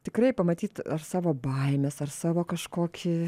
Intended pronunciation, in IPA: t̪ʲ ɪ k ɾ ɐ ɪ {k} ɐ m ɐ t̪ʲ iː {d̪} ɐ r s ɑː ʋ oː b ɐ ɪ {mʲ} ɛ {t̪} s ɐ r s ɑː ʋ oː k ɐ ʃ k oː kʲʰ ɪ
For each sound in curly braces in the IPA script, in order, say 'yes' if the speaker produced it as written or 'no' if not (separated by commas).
no, no, yes, no